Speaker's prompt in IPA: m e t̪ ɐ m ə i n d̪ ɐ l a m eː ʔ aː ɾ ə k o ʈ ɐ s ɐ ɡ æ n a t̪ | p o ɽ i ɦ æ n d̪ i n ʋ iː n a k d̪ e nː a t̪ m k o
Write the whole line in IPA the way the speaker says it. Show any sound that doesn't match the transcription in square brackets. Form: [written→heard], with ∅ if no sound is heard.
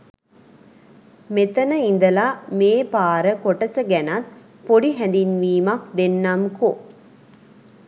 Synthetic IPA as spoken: m e t̪ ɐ [m→n] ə i n d̪ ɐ l a m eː [ʔ→p] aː ɾ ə k o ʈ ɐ s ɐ ɡ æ n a t̪ | p o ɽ i ɦ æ n d̪ i n ʋ iː [n→m] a k d̪ e nː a [t̪→∅] m k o